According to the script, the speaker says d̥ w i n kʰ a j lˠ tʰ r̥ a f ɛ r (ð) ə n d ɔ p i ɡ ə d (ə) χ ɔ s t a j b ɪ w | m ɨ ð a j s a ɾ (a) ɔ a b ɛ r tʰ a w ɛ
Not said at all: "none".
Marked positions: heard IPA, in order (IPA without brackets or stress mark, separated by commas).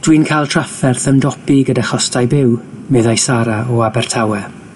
θ, a, a